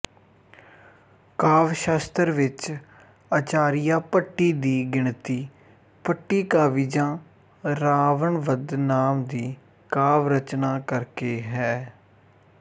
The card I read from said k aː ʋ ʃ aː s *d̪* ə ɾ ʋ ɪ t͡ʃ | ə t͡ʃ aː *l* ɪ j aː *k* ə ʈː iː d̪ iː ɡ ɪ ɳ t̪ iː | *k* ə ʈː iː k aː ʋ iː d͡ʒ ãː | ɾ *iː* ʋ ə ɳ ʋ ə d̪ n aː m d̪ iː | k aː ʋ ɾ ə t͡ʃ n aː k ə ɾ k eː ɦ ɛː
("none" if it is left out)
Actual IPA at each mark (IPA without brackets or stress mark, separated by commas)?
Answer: t̪, ɾ, p, p, aː